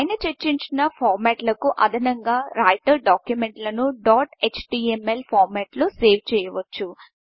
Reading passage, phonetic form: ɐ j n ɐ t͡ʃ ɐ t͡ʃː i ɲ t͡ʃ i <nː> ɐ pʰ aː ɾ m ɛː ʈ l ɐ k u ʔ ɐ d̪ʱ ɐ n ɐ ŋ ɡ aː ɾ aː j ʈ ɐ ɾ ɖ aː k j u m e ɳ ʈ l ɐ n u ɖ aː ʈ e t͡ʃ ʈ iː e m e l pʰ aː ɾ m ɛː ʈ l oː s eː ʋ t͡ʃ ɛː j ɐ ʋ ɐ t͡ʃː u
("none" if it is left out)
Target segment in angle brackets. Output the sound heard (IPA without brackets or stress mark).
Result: n